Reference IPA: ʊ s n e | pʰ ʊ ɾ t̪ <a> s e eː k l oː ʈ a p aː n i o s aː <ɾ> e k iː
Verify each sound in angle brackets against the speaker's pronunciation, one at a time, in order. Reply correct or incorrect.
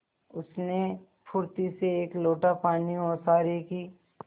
incorrect: i, correct

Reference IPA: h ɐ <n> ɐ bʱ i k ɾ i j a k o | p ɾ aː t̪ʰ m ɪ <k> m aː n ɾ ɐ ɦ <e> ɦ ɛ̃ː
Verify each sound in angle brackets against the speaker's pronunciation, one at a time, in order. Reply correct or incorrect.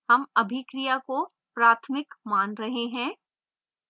incorrect: m, correct, correct

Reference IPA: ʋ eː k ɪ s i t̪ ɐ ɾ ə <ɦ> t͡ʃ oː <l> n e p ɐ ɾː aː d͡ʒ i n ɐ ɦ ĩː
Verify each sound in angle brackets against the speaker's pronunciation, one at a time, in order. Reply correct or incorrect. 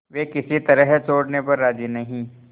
correct, incorrect: ɽ

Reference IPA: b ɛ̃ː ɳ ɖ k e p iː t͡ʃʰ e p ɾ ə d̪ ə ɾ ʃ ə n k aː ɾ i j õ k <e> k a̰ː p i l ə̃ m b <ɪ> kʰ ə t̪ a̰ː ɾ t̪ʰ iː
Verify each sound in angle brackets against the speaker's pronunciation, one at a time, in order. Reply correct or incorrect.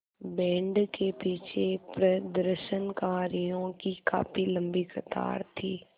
incorrect: i, incorrect: i

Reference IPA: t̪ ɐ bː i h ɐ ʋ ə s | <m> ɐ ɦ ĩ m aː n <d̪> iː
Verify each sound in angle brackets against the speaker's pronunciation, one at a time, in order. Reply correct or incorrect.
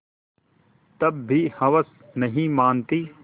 incorrect: n, incorrect: t̪

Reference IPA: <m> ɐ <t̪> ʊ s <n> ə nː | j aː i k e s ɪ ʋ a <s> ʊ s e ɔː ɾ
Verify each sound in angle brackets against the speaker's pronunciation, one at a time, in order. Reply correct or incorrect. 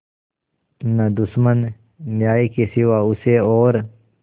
incorrect: n, incorrect: d̪, incorrect: m, incorrect: none

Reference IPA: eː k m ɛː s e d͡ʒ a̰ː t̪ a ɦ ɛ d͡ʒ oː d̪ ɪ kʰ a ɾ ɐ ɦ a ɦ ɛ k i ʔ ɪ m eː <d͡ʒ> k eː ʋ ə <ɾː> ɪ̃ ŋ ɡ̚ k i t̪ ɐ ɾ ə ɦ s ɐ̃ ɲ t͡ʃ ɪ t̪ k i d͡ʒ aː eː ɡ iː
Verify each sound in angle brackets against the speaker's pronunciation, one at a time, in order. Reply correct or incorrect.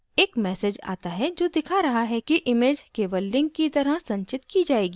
correct, incorrect: lː

